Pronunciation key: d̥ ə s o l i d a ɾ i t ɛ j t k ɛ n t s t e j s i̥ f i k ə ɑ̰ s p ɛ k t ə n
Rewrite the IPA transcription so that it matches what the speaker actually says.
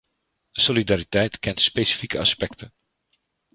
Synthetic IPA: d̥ ə s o l i d a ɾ i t ɛ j t k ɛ n t s p e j s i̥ f i k ə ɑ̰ s p ɛ k t ə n